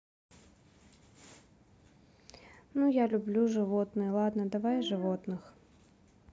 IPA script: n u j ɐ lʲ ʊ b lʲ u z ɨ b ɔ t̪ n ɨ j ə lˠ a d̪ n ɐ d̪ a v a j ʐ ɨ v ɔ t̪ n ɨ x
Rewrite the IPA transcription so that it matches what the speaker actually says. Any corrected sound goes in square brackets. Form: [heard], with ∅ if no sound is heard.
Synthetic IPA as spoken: n u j [a] lʲ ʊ b lʲ u [ʐ] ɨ [v] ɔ t̪ n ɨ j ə lˠ a d̪ n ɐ d̪ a v a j ʐ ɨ v ɔ t̪ n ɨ x